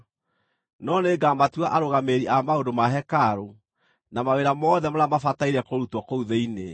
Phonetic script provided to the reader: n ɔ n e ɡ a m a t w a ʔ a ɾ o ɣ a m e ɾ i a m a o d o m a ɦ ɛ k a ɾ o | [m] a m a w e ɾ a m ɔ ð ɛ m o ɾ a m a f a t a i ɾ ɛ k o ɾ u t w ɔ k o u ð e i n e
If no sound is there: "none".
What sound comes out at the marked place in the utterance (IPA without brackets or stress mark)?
n